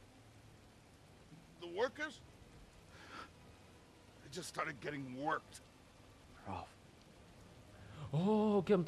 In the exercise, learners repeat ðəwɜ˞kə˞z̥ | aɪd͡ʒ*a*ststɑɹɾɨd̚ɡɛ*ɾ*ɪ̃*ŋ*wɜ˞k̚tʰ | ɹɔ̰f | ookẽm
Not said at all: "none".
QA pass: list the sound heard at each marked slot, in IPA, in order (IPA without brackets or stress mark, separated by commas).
ʌ, ɾ, ŋ